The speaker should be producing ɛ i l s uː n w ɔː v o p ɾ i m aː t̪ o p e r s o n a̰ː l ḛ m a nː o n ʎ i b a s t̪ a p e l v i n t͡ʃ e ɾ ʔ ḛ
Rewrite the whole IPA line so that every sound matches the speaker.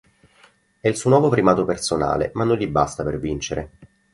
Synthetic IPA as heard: ɛ i l s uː n w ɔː v o p ɾ i m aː t̪ o p e r s o n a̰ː l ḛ m a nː o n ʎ i b a s t̪ a p e r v i n t͡ʃ e ɾ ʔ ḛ